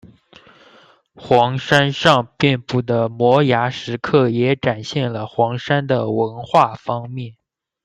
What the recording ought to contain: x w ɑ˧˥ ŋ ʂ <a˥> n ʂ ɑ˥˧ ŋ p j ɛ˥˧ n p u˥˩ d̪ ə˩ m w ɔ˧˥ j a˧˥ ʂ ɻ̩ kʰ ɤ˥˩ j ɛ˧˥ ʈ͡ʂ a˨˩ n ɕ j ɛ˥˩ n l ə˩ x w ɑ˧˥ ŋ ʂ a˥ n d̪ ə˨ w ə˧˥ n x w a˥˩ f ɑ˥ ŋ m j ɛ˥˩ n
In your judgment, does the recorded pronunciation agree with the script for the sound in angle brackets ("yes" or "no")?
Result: yes